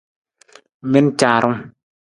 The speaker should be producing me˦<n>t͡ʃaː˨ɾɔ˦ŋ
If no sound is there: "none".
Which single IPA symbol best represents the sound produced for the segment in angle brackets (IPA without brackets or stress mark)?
n